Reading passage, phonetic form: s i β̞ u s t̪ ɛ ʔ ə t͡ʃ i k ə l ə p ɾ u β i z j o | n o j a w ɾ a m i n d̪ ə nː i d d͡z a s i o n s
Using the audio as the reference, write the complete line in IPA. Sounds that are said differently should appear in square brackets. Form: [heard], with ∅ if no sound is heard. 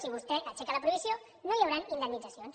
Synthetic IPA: s i β̞ u s t̪ ɛ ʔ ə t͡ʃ [ɛ] k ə l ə p ɾ u β i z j o | n o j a w ɾ a [n] i n d̪ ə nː i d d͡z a s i o n s

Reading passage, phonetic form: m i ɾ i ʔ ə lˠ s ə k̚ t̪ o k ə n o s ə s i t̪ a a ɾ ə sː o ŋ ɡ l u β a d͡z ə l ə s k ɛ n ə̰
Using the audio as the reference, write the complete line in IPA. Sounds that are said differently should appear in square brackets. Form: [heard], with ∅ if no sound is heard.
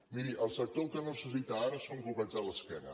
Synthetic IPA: m i ɾ i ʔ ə lˠ s ə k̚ t̪ o k ə n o s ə s i t̪ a a ɾ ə [s] o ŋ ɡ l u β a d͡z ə l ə s k ɛ n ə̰

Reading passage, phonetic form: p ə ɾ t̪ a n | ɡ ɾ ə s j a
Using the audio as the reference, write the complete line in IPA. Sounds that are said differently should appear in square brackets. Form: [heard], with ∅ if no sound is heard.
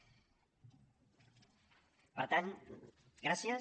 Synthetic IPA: p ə ɾ t̪ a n | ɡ ɾ [a] s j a

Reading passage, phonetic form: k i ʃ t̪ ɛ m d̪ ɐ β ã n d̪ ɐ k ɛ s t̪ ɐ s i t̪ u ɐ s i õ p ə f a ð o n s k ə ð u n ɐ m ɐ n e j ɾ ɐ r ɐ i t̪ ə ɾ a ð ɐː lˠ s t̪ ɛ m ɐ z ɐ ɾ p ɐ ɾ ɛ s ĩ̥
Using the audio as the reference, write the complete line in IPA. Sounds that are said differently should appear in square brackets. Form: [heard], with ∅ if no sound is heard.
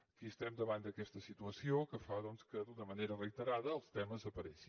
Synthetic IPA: k i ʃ t̪ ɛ m d̪ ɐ β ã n d̪ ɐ k ɛ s t̪ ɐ s i t̪ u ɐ s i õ [k] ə f a ð o n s k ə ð u n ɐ m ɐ n e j ɾ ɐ r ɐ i t̪ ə ɾ a ð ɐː lˠ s t̪ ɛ m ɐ z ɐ [∅] p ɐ ɾ ɛ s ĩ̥

